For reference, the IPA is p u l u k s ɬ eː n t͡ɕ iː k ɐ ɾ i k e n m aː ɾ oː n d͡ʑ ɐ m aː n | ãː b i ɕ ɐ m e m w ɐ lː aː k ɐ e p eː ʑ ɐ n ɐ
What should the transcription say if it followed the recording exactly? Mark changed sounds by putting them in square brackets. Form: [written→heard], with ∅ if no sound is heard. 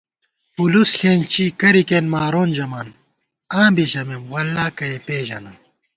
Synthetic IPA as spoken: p u l u [k→∅] s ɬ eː n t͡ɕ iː k ɐ ɾ i k e n m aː ɾ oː n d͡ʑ ɐ m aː n | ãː b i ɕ ɐ m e m w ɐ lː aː k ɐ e p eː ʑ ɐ n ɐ